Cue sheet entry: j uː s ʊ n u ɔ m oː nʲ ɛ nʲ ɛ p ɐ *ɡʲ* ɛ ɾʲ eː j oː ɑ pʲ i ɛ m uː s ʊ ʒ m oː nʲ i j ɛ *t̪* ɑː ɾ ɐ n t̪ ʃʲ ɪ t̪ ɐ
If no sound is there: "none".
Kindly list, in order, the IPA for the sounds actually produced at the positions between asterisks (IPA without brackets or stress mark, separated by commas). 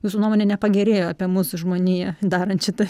ɡʲ, d̪